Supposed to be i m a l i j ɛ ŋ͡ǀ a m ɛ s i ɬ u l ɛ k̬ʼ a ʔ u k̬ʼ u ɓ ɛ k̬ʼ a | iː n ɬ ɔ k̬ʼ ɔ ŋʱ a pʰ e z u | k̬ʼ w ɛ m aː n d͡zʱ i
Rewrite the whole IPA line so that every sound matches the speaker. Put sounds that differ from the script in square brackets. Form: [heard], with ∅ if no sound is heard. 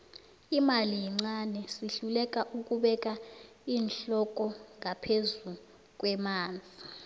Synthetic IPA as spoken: i m a l i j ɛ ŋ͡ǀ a [n] ɛ s i ɬ u l ɛ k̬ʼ a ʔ u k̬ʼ u ɓ ɛ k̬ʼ a | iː n ɬ ɔ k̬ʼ ɔ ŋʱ a pʰ e z u | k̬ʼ w ɛ m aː n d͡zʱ i

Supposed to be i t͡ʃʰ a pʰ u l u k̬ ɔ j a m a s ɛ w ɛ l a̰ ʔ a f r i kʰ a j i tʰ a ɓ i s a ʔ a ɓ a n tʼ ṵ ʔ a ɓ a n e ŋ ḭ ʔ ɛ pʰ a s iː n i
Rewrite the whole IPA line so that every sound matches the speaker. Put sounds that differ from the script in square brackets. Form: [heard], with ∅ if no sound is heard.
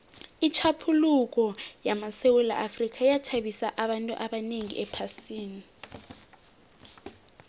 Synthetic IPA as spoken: i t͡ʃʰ a pʰ u l u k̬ ɔ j a m a s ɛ w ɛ l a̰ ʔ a f r i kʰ a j [a] tʰ a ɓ i s a ʔ a ɓ a n tʼ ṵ ʔ a ɓ a n e ŋ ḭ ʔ ɛ pʰ a s iː n i

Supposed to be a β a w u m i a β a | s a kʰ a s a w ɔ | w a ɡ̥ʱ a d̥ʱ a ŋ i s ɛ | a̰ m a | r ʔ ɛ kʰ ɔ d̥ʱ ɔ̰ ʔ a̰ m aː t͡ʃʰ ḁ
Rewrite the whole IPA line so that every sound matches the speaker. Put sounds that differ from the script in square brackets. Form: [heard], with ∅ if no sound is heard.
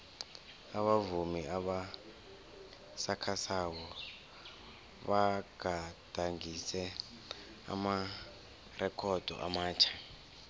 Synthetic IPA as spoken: a β a [v] u m i a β a | s a kʰ a s a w ɔ | [β] a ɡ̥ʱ a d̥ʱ a ŋ i s ɛ | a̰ m a | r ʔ ɛ kʰ ɔ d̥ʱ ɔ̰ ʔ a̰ m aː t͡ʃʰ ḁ

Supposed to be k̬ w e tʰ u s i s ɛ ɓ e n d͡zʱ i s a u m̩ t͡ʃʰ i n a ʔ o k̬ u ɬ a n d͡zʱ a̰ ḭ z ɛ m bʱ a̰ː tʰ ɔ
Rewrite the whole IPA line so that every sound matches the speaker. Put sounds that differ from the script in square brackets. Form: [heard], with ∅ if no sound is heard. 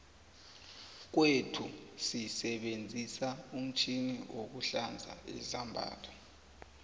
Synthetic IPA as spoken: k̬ w e tʰ u s i s ɛ ɓ e n d͡zʱ i s a u m̩ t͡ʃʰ i n [i] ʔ o k̬ u ɬ a n d͡zʱ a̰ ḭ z [a] m bʱ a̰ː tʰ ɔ

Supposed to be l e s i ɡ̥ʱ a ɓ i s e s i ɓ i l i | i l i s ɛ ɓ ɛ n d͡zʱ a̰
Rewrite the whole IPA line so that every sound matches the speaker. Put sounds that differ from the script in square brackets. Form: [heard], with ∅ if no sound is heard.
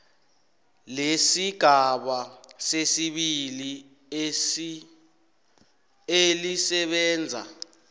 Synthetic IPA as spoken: l e s i ɡ̥ʱ a ɓ [a] s e s i ɓ i l i | [e] l i s ɛ ɓ [ɛː] n d͡zʱ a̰

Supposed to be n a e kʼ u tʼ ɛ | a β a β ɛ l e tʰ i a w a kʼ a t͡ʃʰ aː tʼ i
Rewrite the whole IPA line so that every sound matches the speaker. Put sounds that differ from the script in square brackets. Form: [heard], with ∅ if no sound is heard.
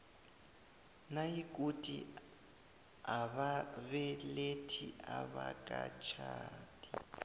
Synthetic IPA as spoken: n a [i] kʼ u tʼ [i] | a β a β ɛ l e tʰ i a [β] a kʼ a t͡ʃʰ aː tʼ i

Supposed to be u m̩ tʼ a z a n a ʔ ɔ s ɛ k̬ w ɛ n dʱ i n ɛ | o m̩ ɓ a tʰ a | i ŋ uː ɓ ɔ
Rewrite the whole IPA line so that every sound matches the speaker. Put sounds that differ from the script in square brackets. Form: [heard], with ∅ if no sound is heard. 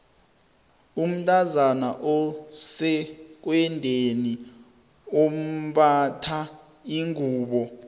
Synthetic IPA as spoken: u m̩ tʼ a z a n a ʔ ɔ s ɛ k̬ w ɛ n dʱ [e] n [i] | o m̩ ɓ a tʰ a | i ŋ uː ɓ ɔ

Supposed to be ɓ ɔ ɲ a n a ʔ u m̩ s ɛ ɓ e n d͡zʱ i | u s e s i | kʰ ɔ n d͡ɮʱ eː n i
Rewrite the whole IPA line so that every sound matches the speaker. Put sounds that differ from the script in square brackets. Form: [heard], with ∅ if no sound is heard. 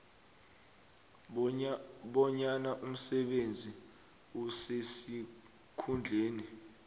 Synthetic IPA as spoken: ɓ ɔ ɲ a n a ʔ u m̩ s ɛ ɓ e n d͡zʱ i | u s e s i | kʰ [u] n d͡ɮʱ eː n i

